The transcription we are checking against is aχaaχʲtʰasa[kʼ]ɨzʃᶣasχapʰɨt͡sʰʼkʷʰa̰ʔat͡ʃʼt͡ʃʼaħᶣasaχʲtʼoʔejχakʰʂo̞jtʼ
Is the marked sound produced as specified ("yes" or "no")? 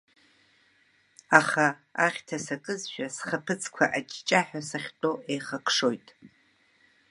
yes